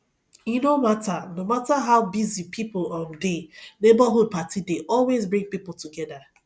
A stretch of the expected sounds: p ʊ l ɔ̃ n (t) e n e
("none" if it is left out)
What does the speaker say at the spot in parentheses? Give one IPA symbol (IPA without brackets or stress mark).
d